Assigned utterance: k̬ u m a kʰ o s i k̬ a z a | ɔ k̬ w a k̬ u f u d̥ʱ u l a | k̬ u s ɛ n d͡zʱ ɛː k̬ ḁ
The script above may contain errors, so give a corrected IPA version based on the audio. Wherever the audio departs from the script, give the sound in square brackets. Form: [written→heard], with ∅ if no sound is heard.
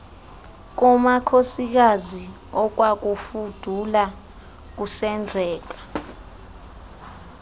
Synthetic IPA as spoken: k̬ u m a kʰ o s i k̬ a z [a→i] | ɔ k̬ w a k̬ u f u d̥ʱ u l a | k̬ u s ɛ n d͡zʱ ɛː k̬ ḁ